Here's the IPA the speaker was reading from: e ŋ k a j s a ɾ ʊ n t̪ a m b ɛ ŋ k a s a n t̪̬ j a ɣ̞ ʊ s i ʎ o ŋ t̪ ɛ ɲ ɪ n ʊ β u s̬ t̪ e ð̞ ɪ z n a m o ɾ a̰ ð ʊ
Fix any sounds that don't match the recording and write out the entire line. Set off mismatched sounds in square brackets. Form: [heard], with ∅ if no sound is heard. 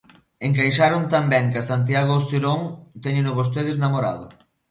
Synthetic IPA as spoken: e ŋ k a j [ʃ] a ɾ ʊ n t̪ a m b ɛ ŋ k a s a n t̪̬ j a ɣ̞ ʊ s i [ɾ] o ŋ t̪ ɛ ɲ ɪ n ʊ β [o] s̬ t̪ e ð̞ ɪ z n a m o ɾ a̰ ð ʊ